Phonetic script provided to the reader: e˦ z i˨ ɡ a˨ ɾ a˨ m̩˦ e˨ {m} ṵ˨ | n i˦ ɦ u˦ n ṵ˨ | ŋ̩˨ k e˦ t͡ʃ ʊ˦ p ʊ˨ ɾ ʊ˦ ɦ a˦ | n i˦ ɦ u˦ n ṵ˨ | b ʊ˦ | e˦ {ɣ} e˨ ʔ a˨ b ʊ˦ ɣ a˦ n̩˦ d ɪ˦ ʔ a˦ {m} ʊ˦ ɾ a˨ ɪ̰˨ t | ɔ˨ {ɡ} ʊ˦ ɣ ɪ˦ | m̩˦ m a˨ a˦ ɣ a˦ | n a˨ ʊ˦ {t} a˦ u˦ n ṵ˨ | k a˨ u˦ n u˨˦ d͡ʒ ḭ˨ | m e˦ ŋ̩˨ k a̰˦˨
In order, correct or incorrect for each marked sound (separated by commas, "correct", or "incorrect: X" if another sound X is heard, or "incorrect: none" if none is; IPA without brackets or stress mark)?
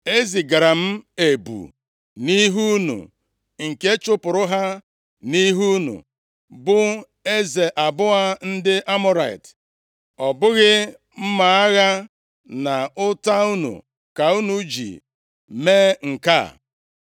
incorrect: b, incorrect: z, correct, incorrect: b, correct